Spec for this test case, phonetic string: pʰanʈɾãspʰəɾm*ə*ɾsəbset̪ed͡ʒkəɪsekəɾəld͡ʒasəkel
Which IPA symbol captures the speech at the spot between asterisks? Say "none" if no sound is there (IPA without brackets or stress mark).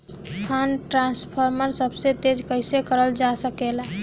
ə